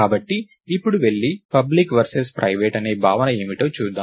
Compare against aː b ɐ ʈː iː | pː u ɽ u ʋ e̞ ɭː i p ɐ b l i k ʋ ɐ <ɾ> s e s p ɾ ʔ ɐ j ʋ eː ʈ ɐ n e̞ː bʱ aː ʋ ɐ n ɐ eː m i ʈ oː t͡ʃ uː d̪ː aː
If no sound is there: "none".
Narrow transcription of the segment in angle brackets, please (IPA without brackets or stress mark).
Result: ɾ